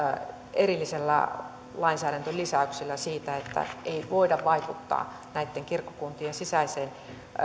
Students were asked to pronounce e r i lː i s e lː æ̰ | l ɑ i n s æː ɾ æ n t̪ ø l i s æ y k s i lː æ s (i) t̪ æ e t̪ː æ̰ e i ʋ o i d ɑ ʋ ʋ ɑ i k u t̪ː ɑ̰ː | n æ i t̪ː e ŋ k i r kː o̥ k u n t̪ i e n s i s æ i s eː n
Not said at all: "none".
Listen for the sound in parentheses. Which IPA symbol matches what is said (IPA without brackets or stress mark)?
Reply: iː